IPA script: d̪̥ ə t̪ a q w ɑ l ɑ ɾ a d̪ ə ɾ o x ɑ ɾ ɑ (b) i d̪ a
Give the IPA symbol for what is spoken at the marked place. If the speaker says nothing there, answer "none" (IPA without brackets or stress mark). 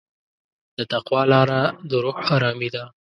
m